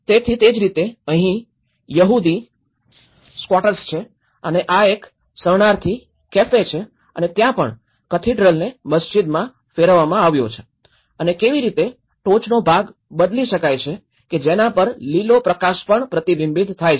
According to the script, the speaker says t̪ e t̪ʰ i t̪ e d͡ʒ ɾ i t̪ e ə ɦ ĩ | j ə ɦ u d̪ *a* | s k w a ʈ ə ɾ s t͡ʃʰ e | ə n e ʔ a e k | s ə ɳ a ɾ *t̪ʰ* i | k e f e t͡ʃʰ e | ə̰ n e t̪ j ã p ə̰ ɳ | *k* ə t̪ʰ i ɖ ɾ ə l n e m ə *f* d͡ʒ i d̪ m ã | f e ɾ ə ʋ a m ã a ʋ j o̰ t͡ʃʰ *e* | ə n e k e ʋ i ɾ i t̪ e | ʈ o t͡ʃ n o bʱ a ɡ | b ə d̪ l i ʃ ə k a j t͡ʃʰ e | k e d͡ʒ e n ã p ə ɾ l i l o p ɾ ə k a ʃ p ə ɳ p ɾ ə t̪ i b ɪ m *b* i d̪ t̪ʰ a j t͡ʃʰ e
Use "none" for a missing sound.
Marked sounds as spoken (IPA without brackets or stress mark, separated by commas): i, t̪ʰ, k, s, e, b